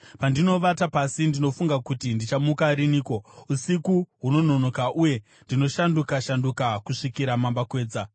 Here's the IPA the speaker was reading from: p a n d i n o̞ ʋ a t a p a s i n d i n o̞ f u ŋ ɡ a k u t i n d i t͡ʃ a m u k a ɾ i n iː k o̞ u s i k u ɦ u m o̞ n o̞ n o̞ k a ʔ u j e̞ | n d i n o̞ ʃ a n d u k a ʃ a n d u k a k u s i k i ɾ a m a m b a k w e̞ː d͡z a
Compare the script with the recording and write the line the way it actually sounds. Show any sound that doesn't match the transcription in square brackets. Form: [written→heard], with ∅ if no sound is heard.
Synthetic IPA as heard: p a n d i n o̞ ʋ a t a p a s i n d i n o̞ f u ŋ ɡ a k u t i n d i t͡ʃ a m u k a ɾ i n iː k o̞ u s i k u ɦ u [m→n] o̞ n o̞ n o̞ k a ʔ u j e̞ | n d i n o̞ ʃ a n d u k a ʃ a n d u k a k u [s→ʂ] i k i ɾ a m a m b a k w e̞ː d͡z a